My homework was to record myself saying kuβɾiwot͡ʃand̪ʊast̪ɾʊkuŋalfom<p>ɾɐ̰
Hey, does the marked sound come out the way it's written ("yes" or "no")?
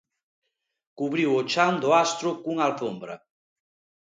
no